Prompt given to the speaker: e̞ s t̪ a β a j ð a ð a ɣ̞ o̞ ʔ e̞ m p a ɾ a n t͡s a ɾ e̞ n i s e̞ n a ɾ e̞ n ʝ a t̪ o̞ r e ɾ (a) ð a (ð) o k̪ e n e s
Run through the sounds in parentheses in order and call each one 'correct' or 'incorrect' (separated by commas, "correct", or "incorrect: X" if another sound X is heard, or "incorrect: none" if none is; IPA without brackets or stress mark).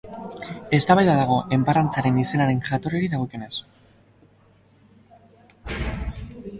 incorrect: i, incorrect: ɣ